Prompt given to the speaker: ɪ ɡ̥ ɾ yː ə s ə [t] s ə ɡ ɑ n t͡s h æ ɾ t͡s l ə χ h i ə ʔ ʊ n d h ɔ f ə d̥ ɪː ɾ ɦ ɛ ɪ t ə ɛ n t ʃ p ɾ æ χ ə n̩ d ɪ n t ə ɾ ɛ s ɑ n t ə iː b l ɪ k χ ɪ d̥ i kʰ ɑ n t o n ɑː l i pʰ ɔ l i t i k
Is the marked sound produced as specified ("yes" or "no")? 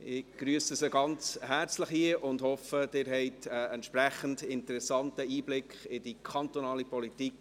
no